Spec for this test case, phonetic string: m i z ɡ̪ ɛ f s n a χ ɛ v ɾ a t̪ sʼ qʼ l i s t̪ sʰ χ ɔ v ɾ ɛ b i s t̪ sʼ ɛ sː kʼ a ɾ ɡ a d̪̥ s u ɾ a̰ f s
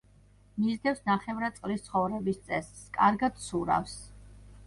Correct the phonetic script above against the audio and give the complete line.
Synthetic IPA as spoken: m i z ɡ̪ ɛ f s n a χ ɛ v ɾ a t̪ sʼ qʼ l i s t̪ sʰ χ ɔ v ɾ ɛ b i s t̪ sʼ ɛ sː kʼ a ɾ ɡ a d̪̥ s u ɾ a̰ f s